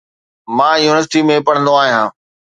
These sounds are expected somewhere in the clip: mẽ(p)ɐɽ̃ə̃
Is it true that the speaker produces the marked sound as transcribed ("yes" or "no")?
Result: yes